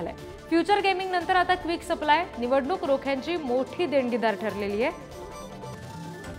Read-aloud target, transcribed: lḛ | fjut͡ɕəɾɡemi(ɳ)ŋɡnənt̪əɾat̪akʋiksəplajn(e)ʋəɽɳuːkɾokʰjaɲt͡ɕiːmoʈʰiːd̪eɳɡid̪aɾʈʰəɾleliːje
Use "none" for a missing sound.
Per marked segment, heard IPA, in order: none, i

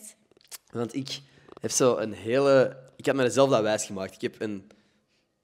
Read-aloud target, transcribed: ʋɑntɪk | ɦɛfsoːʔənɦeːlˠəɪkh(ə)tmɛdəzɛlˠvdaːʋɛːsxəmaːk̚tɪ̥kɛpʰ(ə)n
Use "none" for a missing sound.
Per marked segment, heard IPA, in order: ɑ, ə

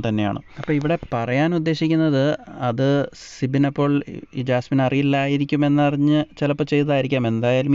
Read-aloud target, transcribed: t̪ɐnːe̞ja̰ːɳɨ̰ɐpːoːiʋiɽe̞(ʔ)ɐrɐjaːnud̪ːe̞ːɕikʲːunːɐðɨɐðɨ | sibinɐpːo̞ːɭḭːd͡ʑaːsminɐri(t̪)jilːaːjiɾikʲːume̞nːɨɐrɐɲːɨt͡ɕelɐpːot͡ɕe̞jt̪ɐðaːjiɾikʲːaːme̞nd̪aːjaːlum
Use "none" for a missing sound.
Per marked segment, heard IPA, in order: p, none

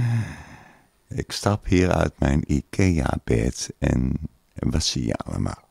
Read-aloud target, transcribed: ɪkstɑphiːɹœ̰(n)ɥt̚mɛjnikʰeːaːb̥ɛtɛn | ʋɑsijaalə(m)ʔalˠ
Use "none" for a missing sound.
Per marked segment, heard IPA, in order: none, m

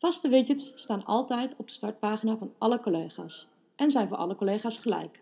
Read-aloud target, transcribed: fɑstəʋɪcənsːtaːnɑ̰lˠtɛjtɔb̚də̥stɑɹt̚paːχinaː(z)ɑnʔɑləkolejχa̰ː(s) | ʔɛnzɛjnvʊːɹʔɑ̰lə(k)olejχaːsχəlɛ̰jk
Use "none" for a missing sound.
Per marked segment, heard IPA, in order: v, s, k

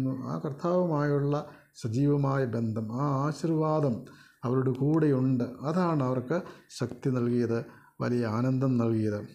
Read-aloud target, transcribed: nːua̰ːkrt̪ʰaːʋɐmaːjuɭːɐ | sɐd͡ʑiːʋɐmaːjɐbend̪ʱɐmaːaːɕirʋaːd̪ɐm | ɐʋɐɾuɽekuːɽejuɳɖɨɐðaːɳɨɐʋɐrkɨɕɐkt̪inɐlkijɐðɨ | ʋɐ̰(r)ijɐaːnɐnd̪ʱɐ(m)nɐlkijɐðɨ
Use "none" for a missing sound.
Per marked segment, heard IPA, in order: l, m

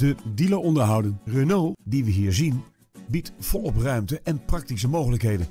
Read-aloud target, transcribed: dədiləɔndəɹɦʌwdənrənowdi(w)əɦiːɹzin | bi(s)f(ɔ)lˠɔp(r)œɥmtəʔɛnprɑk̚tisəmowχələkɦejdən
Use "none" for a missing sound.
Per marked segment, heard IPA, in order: ʋ, t, ɔ, r

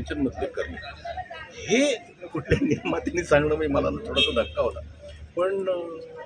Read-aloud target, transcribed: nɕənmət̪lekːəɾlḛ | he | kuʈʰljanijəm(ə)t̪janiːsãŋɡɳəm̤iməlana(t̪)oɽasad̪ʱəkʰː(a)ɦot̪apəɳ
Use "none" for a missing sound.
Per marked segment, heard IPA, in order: a, t̪ʰ, a

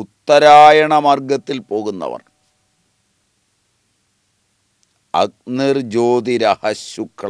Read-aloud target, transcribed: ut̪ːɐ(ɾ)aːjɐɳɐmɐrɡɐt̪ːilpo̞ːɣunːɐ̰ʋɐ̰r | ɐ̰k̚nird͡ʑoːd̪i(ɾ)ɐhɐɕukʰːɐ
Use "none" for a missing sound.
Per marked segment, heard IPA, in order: ɾ, ɾ

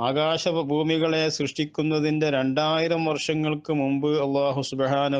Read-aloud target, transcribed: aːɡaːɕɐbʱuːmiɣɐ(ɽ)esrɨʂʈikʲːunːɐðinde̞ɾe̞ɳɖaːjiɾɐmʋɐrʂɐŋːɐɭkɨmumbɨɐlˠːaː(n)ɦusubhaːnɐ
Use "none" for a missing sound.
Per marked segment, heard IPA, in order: ɭ, none

